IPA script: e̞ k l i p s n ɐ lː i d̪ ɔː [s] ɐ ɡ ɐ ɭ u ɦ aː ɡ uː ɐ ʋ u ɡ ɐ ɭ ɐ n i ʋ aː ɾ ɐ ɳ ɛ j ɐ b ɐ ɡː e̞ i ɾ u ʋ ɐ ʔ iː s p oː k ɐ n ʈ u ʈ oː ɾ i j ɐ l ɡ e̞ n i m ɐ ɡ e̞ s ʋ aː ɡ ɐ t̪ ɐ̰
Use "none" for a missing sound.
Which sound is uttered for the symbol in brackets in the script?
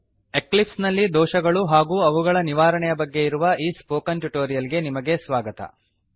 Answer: ʃ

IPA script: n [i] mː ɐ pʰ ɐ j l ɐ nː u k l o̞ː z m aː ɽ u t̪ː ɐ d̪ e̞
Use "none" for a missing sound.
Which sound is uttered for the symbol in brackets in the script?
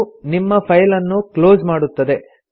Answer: i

